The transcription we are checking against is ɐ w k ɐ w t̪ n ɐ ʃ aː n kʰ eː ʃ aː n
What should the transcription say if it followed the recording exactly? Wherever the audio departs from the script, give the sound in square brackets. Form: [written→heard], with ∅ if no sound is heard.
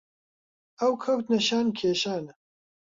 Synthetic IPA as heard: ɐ w [k→kʰ] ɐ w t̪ n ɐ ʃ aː n kʰ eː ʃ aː n